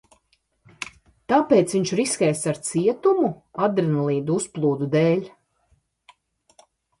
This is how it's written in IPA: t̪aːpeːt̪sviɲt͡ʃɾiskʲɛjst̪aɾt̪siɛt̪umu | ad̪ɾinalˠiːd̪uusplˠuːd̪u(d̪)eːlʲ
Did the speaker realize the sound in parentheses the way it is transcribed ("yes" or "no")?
yes